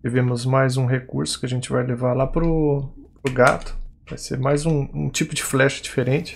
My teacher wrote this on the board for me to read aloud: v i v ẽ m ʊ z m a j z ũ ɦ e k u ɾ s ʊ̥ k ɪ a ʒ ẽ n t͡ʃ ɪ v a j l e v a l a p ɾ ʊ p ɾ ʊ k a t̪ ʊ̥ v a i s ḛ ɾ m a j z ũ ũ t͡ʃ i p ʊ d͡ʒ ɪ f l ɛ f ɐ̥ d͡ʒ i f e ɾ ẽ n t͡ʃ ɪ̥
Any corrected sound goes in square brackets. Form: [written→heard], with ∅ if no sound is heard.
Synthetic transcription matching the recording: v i v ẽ m ʊ z m a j z ũ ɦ e k u ɾ s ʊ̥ k ɪ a ʒ ẽ n t͡ʃ ɪ v a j l e v a l a p ɾ ʊ p ɾ ʊ [k→ɡ] a t̪ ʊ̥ v a [i→j] s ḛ ɾ m a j z ũ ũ t͡ʃ i p ʊ d͡ʒ ɪ f l ɛ [f→ʃ] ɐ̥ d͡ʒ i f e ɾ ẽ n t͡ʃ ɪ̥